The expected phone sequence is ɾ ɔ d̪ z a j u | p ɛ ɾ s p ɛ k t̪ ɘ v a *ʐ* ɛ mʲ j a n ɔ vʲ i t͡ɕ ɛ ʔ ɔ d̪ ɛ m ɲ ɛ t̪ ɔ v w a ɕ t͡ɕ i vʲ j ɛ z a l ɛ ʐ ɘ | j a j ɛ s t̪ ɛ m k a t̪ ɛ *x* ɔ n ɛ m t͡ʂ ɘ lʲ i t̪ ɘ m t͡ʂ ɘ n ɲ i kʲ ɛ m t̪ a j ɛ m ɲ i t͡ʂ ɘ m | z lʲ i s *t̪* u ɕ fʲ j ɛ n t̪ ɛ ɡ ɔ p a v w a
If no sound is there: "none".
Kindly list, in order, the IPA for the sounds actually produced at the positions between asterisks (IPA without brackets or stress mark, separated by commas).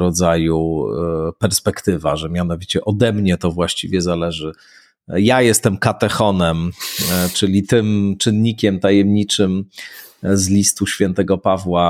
ʐ, x, t̪